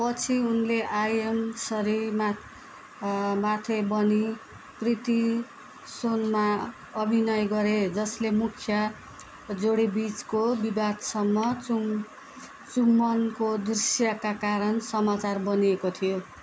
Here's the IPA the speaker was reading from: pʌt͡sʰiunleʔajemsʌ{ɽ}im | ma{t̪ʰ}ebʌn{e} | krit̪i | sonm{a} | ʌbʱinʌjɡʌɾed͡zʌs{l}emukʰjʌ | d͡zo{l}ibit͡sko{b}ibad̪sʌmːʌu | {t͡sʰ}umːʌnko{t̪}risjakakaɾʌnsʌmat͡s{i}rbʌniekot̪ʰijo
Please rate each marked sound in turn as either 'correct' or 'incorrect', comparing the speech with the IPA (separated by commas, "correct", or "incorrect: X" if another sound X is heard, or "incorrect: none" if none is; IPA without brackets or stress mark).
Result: incorrect: ɾ, correct, incorrect: i, correct, correct, incorrect: ɽ, correct, incorrect: t͡s, incorrect: d̪, incorrect: a